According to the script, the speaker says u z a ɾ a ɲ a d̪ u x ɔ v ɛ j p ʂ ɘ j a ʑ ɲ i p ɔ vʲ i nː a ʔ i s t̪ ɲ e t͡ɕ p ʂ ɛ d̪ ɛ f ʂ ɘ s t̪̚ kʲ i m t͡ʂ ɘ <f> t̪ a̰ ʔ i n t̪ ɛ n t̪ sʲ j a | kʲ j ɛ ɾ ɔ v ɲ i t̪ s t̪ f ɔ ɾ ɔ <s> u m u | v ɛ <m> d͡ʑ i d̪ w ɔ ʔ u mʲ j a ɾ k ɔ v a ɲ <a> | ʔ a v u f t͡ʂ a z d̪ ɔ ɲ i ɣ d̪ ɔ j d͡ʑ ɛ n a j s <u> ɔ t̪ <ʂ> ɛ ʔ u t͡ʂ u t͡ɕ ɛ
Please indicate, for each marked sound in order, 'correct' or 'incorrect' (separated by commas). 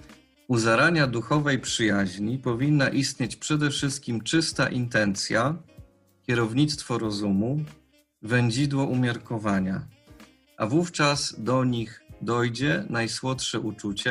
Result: incorrect, incorrect, incorrect, correct, incorrect, correct